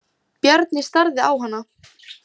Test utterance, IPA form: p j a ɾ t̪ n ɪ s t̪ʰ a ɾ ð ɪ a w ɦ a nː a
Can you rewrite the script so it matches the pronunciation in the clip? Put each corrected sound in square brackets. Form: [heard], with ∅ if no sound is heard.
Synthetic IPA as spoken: p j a ɾ t̪ n ɪ s [t̪] a ɾ ð ɪ a w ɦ a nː a